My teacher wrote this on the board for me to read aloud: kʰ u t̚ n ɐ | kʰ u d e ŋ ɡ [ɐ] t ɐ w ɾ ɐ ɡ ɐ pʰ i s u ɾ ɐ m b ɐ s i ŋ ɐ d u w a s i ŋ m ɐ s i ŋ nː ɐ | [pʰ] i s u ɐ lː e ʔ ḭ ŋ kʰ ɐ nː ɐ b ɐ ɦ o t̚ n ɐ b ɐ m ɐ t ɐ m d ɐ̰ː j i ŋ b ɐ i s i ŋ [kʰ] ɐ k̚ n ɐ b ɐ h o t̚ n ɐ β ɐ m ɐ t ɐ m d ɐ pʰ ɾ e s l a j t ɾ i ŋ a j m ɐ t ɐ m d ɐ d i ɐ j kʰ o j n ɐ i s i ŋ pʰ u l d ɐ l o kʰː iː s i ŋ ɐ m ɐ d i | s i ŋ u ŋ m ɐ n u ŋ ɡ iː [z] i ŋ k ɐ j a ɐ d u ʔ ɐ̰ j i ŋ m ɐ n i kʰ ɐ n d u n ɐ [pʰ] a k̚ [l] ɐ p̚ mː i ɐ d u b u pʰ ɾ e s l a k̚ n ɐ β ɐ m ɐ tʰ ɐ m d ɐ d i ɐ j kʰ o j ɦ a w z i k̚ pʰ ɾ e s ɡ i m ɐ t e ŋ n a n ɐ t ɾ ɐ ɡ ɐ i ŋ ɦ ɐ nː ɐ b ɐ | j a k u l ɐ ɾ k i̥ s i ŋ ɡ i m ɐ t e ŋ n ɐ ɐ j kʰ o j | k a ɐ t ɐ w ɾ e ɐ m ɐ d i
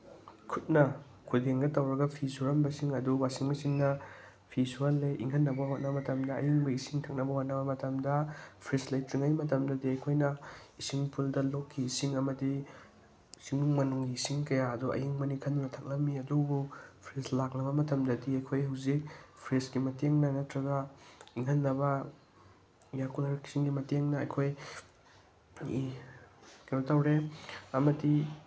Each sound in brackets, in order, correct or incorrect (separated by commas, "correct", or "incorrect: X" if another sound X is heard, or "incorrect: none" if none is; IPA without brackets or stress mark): correct, correct, incorrect: tʰ, incorrect: s, incorrect: tʰ, correct